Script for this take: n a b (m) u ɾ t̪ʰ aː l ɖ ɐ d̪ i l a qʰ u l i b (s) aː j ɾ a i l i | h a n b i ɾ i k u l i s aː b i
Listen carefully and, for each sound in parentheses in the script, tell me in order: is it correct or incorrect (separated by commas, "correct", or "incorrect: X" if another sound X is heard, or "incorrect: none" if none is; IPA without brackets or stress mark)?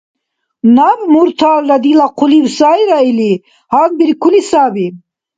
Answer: correct, correct